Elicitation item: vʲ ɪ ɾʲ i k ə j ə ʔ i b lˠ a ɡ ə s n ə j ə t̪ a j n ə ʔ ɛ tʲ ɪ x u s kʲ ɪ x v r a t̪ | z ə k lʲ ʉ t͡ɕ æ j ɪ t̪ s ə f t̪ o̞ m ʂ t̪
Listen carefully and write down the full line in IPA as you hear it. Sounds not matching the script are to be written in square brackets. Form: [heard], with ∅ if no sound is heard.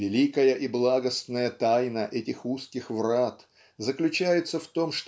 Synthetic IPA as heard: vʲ ɪ [lʲ] i k ə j ə ʔ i b lˠ a ɡ ə s n ə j ə t̪ a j n ə ʔ ɛ tʲ ɪ x u s kʲ ɪ x v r a t̪ | z ə k lʲ ʉ t͡ɕ æ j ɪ t̪ s ə f t̪ o̞ m ʂ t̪